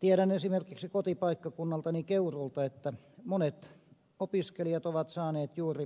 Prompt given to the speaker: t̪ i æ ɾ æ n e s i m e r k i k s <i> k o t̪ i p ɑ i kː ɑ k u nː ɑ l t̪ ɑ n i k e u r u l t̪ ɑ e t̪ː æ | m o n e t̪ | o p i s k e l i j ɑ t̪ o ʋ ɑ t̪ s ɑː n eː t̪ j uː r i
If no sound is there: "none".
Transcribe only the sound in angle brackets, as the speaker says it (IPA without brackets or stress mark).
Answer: i